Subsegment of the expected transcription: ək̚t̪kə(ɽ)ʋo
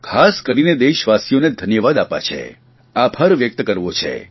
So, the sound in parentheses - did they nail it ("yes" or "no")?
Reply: no